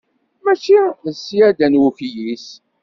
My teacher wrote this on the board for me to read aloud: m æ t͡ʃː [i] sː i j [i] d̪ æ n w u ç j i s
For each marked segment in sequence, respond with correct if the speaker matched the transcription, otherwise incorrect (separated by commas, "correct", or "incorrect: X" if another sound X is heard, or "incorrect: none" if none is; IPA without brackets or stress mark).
correct, incorrect: æ